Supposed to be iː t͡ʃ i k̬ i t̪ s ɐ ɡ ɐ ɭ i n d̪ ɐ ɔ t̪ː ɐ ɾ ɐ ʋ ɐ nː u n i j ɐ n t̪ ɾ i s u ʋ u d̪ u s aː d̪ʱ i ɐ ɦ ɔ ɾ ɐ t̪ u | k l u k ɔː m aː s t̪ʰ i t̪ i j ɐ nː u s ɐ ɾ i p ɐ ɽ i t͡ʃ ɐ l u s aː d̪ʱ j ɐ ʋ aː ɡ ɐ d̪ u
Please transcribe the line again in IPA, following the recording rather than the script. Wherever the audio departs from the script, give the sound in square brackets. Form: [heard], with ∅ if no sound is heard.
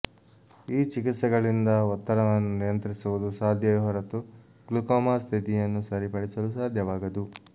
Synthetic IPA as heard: iː t͡ʃ i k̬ i t̪ s ɐ ɡ ɐ ɭ i n d̪ ɐ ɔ t̪ː ɐ ɾ ɐ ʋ ɐ nː u n i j ɐ n t̪ ɾ i s u ʋ u d̪ u s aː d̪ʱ [j] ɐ ɦ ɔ ɾ ɐ t̪ u | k l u k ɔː m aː s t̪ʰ i t̪ i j ɐ nː u s ɐ ɾ i p ɐ ɽ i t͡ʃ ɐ l u s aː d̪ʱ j ɐ ʋ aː ɡ ɐ d̪ u

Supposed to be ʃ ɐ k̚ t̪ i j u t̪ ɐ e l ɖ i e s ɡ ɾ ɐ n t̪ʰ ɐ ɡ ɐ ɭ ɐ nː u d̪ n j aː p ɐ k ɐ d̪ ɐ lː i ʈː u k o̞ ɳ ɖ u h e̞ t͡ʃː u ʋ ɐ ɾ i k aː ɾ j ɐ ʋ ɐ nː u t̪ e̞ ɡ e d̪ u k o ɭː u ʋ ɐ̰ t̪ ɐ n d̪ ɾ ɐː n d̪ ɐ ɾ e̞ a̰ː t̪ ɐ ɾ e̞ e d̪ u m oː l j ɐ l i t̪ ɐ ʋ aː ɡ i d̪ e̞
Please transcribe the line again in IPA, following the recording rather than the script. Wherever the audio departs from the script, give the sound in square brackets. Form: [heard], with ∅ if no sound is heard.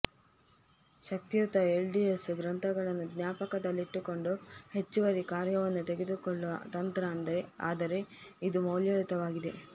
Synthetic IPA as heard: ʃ ɐ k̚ t̪ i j u t̪ ɐ e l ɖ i e s ɡ ɾ ɐ n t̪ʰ ɐ ɡ ɐ ɭ ɐ nː u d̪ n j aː p ɐ k ɐ d̪ ɐ lː i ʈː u k o̞ ɳ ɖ u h e̞ t͡ʃː u ʋ ɐ ɾ i k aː ɾ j ɐ ʋ ɐ nː u t̪ e̞ ɡ e d̪ u k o ɭː u ʋ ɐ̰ t̪ ɐ n [t̪] ɾ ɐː n d̪ ɐ ɾ e̞ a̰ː [d̪] ɐ ɾ e̞ [i] d̪ u m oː l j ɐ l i t̪ ɐ ʋ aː ɡ i d̪ e̞

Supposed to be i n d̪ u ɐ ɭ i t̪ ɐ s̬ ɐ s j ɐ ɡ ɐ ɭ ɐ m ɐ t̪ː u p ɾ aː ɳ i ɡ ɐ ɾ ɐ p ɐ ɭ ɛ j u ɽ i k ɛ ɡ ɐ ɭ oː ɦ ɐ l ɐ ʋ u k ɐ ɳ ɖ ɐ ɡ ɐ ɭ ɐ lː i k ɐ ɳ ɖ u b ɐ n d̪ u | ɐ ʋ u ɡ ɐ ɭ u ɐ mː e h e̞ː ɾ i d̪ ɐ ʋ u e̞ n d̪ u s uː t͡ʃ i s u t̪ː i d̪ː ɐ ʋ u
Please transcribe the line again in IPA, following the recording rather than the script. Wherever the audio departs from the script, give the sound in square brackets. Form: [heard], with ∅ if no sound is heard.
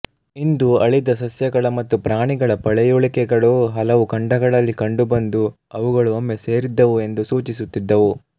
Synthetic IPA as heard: i n d̪ u ɐ ɭ i [d̪] ɐ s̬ ɐ s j ɐ ɡ ɐ ɭ ɐ m ɐ t̪ː u p ɾ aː ɳ i ɡ ɐ [ɭ] ɐ p ɐ ɭ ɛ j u [ɭ] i k ɛ ɡ ɐ ɭ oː ɦ ɐ l ɐ ʋ u k ɐ ɳ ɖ ɐ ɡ ɐ ɭ ɐ lː i k ɐ ɳ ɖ u b ɐ n d̪ u | ɐ ʋ u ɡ ɐ ɭ u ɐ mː e [s] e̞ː ɾ i [d̪ː] ɐ ʋ u e̞ n d̪ u s uː t͡ʃ i s u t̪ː i d̪ː ɐ ʋ u

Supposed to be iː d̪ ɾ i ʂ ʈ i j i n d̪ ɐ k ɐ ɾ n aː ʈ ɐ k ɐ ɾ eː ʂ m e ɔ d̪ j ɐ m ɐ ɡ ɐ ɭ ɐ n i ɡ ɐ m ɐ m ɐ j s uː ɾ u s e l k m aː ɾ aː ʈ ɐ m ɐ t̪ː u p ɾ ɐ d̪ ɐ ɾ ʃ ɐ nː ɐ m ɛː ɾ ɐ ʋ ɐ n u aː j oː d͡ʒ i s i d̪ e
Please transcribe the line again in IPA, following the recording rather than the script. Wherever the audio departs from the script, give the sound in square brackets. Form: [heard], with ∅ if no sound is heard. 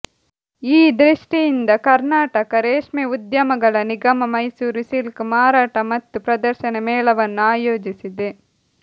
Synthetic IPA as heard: iː d̪ ɾ i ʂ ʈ i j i n d̪ ɐ k ɐ ɾ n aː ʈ ɐ k ɐ ɾ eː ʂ m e [u] d̪ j ɐ m ɐ ɡ ɐ ɭ ɐ n i ɡ ɐ m ɐ m ɐ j s uː ɾ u s [i] l k m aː ɾ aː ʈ ɐ m ɐ t̪ː u p ɾ ɐ d̪ ɐ ɾ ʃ ɐ [n] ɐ m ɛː [ɭ] ɐ ʋ ɐ [nː] u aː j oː d͡ʒ i s i d̪ e

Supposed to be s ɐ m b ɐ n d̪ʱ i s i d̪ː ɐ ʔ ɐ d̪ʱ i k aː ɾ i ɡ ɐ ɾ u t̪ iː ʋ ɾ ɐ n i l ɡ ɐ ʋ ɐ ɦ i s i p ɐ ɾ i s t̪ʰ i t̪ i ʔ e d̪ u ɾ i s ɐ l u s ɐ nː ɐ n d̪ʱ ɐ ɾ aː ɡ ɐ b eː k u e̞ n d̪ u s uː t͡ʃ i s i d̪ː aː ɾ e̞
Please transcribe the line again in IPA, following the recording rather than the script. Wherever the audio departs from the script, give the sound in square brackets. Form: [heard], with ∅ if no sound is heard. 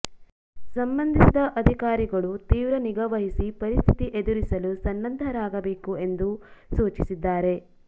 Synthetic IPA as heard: s ɐ m b ɐ n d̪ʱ i s i [d̪] ɐ ʔ ɐ d̪ʱ i k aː ɾ i ɡ ɐ [ɭ] u t̪ iː ʋ ɾ ɐ n i [∅] ɡ ɐ ʋ ɐ ɦ i s i p ɐ ɾ i s t̪ʰ i t̪ i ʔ e d̪ u ɾ i s ɐ l u s ɐ nː ɐ n d̪ʱ ɐ ɾ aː ɡ ɐ b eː k u e̞ n d̪ u s uː t͡ʃ i s i d̪ː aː ɾ e̞

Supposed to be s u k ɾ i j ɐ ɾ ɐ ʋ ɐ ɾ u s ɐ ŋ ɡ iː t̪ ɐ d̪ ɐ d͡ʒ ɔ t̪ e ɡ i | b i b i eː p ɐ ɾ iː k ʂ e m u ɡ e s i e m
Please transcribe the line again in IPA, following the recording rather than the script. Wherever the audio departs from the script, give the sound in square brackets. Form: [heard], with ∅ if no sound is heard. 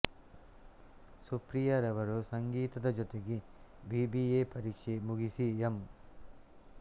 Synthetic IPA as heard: s u [p] ɾ i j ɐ ɾ ɐ ʋ ɐ ɾ u s ɐ ŋ ɡ iː t̪ ɐ d̪ ɐ d͡ʒ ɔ t̪ e ɡ i | b i b i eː p ɐ ɾ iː k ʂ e m u ɡ [i] s i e m

